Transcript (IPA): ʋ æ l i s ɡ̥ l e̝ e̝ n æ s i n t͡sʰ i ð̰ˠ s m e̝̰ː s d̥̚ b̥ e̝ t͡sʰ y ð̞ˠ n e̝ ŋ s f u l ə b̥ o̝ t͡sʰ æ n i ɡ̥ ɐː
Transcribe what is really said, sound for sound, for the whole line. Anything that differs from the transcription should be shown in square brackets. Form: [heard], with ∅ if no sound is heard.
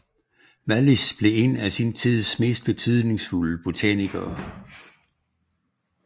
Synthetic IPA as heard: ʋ æ l i s [b̥] l e̝ e̝ n æ s i n t͡sʰ i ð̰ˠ s m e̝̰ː s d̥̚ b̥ e̝ t͡sʰ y ð̞ˠ n e̝ ŋ s f u l ə b̥ o̝ t͡sʰ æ n i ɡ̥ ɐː